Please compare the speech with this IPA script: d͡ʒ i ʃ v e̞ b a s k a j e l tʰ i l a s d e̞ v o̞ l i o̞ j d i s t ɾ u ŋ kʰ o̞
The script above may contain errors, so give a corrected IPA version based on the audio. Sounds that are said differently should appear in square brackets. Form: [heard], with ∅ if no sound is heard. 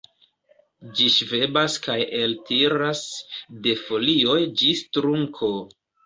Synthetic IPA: d͡ʒ i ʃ v e̞ b a s k a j e l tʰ i [ɾ] a s d e̞ [f] o̞ l i o̞ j [d͡ʒ] i s t ɾ u ŋ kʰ o̞